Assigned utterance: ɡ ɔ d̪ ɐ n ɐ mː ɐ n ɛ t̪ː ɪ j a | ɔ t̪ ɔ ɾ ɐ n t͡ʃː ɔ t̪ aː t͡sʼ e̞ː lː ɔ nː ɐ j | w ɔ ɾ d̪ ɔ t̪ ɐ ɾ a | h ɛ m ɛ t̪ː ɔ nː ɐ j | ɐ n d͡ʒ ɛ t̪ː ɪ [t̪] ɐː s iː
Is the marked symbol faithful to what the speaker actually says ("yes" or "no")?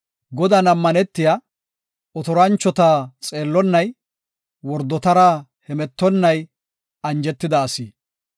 no